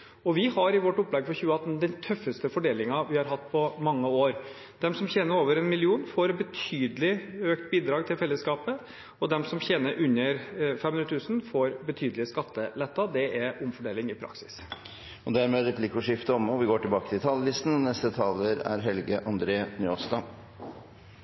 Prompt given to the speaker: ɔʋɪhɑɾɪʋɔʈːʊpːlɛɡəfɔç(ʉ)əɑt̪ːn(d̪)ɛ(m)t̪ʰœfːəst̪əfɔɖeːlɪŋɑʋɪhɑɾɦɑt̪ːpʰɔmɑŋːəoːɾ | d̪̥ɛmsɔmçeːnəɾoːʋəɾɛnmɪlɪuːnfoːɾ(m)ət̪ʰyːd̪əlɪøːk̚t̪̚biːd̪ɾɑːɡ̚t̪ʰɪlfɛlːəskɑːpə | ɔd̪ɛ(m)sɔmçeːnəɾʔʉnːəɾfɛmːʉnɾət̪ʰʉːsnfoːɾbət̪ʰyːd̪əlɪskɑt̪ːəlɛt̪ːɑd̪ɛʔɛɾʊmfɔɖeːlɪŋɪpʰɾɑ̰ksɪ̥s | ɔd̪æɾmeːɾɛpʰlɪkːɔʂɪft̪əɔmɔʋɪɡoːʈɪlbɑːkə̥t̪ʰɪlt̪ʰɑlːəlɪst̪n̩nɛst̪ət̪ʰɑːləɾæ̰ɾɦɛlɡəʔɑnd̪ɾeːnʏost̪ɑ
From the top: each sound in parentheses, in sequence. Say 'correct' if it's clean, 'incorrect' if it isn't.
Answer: incorrect: ʉː, correct, incorrect: n, incorrect: b, correct

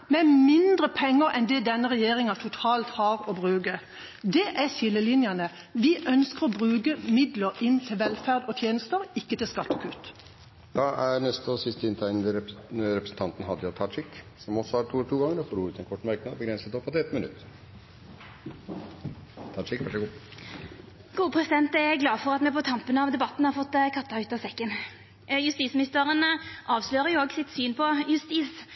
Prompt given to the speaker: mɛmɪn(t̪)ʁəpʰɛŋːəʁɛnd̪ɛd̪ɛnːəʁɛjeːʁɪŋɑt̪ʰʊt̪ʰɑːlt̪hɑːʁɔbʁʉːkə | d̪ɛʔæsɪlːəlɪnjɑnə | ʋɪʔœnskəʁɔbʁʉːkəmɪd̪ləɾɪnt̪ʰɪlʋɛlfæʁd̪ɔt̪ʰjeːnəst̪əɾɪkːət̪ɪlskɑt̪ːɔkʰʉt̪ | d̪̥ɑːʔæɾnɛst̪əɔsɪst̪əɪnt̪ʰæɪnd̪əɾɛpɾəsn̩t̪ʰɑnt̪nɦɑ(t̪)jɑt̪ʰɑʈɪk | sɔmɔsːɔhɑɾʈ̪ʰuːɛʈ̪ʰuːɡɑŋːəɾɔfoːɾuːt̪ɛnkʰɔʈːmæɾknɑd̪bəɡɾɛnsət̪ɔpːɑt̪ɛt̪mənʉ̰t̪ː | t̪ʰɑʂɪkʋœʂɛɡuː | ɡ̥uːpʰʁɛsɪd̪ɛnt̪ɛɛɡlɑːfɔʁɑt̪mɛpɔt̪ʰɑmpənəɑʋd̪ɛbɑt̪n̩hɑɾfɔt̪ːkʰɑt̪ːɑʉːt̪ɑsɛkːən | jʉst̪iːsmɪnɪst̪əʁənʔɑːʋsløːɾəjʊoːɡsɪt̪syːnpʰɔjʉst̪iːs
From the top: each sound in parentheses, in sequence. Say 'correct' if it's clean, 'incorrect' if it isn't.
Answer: incorrect: d̪, incorrect: d̪

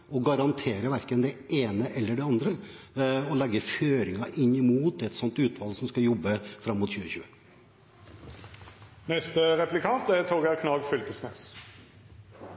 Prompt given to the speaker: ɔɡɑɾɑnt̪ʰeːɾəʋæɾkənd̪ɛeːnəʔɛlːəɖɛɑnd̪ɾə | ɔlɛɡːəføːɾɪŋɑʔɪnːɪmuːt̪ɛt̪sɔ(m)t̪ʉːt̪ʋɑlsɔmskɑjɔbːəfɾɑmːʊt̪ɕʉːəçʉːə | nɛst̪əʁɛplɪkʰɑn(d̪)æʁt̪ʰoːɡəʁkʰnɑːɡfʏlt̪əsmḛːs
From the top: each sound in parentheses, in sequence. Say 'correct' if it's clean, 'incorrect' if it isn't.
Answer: incorrect: n, incorrect: t̪

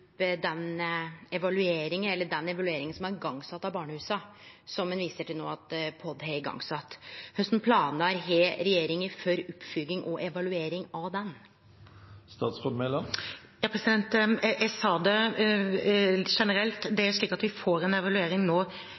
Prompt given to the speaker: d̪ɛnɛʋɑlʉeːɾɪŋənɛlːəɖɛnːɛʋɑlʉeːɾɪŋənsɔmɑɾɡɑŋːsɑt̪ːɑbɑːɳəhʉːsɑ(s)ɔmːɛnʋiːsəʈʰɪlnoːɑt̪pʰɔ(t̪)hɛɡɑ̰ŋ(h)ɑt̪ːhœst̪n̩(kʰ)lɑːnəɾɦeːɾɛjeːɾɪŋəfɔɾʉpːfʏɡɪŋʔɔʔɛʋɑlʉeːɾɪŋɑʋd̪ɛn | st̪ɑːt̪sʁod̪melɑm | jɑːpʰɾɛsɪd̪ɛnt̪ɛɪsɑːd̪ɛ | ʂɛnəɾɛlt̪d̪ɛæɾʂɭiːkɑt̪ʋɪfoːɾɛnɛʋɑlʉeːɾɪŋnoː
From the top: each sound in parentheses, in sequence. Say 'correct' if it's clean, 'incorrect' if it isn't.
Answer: correct, incorrect: d̪, incorrect: s, incorrect: pʰ

